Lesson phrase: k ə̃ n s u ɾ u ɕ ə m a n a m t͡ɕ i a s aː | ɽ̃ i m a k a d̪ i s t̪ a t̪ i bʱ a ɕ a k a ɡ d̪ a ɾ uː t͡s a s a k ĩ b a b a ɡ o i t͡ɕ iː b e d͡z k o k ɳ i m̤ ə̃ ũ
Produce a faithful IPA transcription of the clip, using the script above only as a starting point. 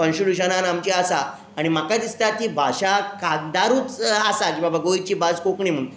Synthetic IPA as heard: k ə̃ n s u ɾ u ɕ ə n a n a m t͡ɕ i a s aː | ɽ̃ i m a k a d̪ i s t̪ a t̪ i bʱ a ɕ a k a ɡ d̪ a ɾ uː t͡s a s a k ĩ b a b a ɡ o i t͡ɕ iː b a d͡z k o k ɳ i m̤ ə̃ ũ